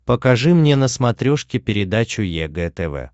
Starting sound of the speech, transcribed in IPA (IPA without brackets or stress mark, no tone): p